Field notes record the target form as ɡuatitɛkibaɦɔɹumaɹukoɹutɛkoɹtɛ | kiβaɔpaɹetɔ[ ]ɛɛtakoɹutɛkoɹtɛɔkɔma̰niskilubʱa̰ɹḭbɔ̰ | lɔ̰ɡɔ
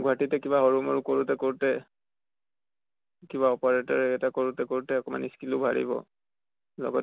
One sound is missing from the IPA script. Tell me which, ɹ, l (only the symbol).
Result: ɹ